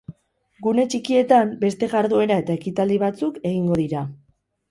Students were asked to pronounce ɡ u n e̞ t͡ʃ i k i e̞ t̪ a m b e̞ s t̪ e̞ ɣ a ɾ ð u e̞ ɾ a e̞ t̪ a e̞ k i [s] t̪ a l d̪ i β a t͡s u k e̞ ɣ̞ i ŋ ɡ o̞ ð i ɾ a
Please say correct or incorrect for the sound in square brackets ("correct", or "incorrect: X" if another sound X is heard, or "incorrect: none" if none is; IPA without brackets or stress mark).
incorrect: none